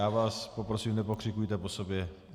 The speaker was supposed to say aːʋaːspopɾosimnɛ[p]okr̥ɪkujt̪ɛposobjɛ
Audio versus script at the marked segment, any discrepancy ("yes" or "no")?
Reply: no